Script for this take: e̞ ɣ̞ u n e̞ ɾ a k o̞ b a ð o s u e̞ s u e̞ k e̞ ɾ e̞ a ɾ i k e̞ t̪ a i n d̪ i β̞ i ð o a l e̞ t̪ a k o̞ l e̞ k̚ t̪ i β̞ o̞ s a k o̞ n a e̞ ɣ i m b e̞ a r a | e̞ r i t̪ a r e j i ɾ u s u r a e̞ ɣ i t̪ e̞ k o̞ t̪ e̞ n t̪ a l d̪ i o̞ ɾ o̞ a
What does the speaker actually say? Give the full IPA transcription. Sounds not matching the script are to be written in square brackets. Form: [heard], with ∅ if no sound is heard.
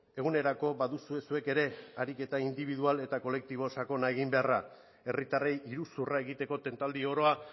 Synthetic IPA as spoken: e̞ ɣ̞ u n e̞ ɾ a k o̞ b a ð [u] s u e̞ s u e̞ k e̞ ɾ e̞ a ɾ i k e̞ t̪ a i n d̪ i β̞ i ð [u] a l e̞ t̪ a k o̞ l e̞ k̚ t̪ i β̞ o̞ s a k o̞ n a e̞ ɣ i m b e̞ a r a | e̞ r i t̪ a r e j i ɾ u s u r a e̞ ɣ i t̪ e̞ k o̞ t̪ e̞ n t̪ a l d̪ i o̞ ɾ o̞ a